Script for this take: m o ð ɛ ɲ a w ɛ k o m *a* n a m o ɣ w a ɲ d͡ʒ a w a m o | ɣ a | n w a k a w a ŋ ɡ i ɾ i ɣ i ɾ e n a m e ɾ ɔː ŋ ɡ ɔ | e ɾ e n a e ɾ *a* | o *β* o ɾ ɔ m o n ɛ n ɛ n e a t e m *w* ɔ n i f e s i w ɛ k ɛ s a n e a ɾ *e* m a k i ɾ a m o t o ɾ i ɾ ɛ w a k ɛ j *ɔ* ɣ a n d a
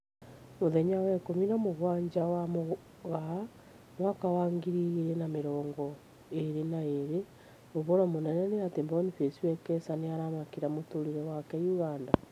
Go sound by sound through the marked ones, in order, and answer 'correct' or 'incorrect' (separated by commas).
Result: incorrect, incorrect, correct, incorrect, incorrect, incorrect